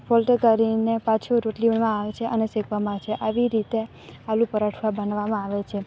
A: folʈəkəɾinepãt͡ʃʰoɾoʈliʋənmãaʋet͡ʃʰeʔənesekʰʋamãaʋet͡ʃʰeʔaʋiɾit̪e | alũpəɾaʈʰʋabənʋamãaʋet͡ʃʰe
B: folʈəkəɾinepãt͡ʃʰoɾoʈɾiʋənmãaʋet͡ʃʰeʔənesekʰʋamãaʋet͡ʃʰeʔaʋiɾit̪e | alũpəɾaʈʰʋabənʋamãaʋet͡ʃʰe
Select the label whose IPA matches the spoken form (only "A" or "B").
A